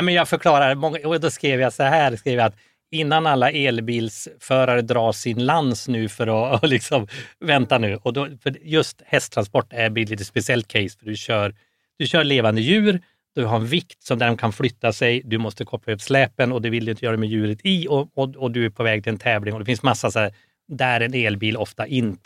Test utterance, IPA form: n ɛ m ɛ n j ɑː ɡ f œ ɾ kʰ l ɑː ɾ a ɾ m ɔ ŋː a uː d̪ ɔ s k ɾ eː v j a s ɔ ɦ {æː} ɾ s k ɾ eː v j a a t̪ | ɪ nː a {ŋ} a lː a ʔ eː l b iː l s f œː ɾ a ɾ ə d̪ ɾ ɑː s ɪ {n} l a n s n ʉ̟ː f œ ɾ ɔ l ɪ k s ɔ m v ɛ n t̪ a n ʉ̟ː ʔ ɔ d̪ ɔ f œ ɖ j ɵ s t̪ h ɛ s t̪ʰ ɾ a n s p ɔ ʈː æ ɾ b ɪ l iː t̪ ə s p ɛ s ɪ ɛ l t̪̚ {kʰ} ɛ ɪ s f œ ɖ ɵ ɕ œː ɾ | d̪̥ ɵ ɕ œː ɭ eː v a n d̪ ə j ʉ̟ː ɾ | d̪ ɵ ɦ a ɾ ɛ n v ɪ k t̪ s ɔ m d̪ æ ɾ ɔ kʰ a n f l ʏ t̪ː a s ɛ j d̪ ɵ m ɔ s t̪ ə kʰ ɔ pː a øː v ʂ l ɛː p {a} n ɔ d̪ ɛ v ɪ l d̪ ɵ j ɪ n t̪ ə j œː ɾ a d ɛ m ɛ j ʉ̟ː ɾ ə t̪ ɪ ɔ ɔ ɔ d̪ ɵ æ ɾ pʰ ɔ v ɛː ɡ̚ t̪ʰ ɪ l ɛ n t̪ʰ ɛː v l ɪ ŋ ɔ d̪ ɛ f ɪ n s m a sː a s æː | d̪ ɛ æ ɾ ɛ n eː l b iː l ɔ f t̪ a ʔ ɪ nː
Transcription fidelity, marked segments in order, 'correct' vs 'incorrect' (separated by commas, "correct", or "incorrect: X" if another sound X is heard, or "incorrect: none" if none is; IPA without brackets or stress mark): correct, incorrect: n, correct, correct, incorrect: ə